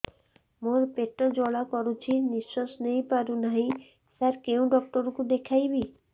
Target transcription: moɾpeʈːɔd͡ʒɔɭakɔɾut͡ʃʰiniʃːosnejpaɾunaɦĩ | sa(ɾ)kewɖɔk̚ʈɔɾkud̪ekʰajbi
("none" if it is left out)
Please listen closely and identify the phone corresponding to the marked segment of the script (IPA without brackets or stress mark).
ɾ